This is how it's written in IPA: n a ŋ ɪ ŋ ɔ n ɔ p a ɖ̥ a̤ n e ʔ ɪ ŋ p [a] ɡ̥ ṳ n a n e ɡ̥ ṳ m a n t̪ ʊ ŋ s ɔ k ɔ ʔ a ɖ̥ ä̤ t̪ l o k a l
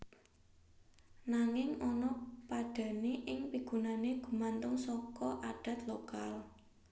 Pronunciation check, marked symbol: incorrect: i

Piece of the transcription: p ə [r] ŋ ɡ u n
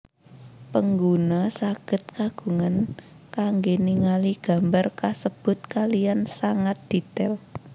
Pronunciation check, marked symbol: incorrect: none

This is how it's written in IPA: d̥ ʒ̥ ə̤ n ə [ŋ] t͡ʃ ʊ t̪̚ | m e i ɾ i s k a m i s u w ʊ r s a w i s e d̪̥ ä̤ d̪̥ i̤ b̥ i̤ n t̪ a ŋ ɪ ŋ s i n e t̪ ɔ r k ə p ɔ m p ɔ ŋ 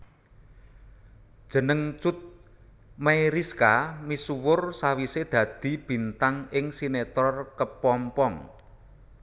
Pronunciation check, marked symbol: correct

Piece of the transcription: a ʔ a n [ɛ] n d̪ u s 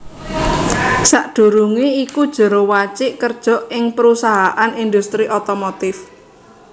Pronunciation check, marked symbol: incorrect: i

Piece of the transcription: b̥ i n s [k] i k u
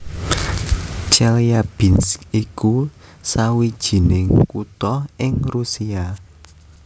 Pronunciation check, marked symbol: correct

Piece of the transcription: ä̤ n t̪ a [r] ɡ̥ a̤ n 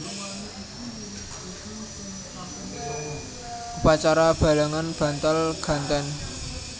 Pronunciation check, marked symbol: incorrect: l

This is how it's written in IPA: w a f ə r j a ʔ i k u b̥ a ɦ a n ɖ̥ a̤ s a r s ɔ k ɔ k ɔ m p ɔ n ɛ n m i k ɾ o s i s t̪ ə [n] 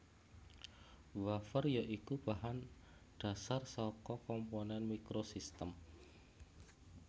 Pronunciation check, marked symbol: incorrect: m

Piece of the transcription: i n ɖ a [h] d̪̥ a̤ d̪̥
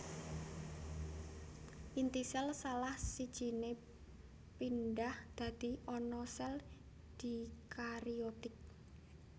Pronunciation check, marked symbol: correct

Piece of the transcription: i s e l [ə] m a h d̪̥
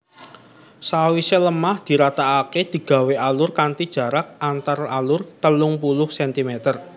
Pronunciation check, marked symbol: correct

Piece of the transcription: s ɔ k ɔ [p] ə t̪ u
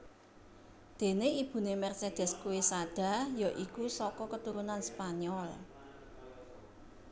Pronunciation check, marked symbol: incorrect: k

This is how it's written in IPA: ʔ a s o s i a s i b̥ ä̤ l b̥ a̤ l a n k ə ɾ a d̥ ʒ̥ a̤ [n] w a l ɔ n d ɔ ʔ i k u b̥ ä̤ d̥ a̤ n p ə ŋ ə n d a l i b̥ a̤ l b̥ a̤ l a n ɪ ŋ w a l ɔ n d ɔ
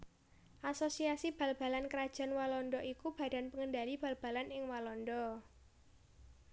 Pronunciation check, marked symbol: correct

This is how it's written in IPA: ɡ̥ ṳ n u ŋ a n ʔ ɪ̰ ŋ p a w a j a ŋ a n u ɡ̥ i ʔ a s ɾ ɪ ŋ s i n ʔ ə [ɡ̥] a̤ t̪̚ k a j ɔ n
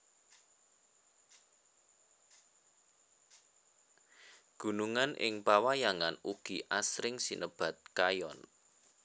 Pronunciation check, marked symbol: incorrect: b̥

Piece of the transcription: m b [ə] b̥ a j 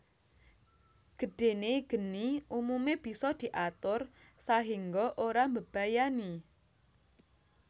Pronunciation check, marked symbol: correct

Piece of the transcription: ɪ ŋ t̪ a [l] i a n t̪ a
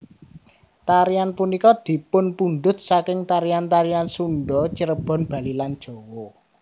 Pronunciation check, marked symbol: incorrect: ɾ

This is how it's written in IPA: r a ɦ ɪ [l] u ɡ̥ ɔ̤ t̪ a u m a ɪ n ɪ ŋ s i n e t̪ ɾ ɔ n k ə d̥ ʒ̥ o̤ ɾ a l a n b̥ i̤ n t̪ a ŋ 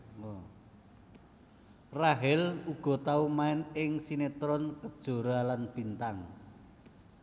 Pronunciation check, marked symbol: correct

